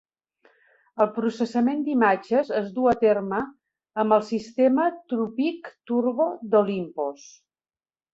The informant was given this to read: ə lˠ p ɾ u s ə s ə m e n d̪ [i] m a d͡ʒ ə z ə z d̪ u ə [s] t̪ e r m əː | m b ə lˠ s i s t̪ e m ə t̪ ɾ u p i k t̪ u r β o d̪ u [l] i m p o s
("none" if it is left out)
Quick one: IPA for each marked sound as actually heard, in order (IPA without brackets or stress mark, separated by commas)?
i, none, l